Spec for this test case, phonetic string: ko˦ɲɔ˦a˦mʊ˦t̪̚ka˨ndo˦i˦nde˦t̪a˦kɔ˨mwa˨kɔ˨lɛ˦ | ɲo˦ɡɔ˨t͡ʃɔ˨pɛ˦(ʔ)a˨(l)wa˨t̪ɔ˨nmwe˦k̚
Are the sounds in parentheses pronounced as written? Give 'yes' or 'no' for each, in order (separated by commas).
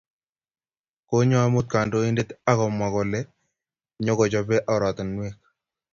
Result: yes, no